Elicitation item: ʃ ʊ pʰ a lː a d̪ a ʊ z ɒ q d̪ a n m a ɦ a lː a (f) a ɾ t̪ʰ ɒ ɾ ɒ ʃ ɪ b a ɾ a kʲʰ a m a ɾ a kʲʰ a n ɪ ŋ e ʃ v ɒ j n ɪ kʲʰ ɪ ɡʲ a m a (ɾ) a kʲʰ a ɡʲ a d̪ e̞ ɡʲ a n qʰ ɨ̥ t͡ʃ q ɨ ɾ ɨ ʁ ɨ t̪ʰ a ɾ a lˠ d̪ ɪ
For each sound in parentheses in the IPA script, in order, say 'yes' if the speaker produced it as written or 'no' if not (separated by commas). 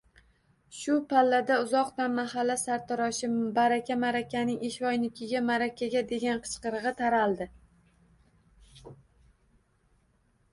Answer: no, yes